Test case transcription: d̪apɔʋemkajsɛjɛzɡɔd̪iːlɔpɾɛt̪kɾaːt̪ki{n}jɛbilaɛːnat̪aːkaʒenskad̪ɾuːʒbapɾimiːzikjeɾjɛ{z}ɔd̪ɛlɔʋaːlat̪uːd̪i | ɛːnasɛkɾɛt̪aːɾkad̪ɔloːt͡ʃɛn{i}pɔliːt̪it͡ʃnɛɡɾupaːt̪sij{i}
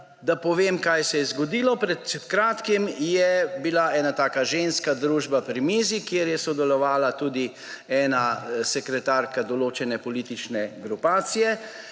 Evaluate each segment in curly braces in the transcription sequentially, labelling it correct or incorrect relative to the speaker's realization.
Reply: incorrect: m, incorrect: s, incorrect: ɛ, incorrect: ɛ

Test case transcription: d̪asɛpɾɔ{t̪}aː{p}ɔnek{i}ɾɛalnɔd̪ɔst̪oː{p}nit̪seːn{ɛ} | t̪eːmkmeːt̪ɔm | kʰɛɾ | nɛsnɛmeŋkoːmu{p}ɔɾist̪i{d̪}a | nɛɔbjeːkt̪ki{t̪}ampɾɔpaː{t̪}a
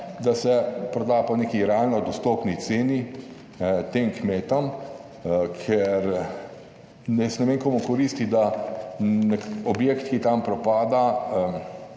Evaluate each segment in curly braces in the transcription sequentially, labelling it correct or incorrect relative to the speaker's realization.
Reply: incorrect: d̪, correct, correct, correct, incorrect: i, incorrect: k, correct, correct, incorrect: d̪

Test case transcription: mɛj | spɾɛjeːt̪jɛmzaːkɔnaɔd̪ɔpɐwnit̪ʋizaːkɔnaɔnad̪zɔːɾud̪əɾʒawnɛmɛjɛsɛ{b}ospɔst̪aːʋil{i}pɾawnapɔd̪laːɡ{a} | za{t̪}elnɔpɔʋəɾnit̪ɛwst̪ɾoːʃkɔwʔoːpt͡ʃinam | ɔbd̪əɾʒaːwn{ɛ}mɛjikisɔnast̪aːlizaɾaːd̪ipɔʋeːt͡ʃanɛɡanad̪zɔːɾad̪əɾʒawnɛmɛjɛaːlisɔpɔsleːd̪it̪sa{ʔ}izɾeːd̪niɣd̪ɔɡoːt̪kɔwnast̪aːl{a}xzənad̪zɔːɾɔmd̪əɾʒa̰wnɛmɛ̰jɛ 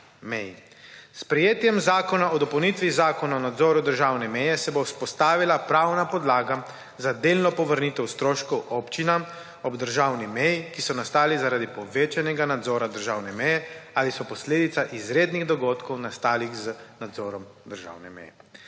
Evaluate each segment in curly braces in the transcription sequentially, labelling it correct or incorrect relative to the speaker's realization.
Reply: correct, incorrect: a, correct, incorrect: d̪, incorrect: i, correct, incorrect: i

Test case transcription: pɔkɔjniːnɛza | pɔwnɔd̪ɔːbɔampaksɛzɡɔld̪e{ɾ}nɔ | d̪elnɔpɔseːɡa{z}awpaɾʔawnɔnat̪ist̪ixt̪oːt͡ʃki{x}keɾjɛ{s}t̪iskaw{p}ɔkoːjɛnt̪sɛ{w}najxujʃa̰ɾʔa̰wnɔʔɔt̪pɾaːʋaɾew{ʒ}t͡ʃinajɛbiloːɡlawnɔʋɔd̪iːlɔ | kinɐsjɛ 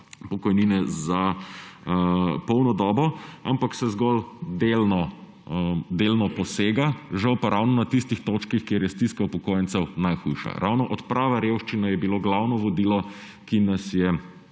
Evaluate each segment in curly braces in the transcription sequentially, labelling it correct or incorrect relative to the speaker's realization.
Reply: incorrect: l, incorrect: ʒ, correct, correct, correct, correct, incorrect: ʃ

